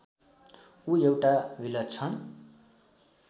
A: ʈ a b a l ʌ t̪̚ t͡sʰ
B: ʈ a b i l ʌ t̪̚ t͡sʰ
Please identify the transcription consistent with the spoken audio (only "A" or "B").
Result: B